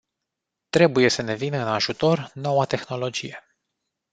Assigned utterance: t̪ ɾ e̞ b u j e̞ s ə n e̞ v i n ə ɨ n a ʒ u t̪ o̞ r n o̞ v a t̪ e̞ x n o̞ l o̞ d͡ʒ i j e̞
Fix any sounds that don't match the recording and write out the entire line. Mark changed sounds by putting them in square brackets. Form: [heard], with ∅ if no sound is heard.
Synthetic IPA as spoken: t̪ ɾ e̞ b u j e̞ s ə n e̞ v i n ə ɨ n a ʒ u t̪ o̞ r n o̞ [w] a t̪ e̞ x n o̞ l o̞ d͡ʒ i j e̞